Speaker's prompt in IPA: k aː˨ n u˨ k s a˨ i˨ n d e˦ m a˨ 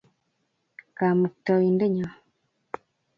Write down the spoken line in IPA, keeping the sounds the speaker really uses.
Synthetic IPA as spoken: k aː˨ m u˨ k t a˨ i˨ n d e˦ ɲ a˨